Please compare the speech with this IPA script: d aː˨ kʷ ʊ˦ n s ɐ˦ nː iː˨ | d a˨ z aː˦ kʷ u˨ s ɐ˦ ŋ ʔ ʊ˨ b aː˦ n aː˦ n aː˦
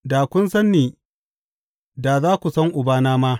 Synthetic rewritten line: d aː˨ kʷ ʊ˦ n s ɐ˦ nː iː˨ | d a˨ z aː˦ kʷ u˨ s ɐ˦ ŋ ʔ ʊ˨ b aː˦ n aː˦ m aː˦